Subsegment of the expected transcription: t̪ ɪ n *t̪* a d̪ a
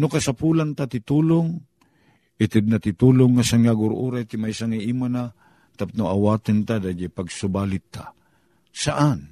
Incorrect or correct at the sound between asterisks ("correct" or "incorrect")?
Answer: correct